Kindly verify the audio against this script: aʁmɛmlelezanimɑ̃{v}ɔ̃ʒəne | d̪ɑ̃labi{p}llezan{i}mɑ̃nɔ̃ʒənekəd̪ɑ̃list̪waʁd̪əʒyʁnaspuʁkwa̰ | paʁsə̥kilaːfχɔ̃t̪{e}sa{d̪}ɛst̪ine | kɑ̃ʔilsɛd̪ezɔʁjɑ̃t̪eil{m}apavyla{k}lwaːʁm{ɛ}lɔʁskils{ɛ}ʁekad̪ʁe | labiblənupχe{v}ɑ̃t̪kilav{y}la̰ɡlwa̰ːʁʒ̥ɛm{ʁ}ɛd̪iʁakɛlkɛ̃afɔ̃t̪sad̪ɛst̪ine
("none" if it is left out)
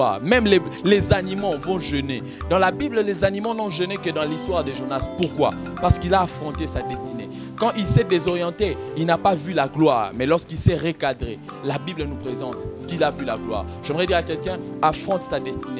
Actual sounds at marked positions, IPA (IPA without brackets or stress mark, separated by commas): v, b, i, e, d̪, n, ɡ, ɛ, ɛ, z, y, ʁ